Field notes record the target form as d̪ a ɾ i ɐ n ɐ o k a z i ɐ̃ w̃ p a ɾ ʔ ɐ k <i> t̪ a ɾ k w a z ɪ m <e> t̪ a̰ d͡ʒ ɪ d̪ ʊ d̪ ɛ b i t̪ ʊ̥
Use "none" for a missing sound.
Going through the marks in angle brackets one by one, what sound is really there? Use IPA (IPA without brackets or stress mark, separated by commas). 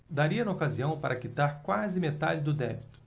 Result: i, e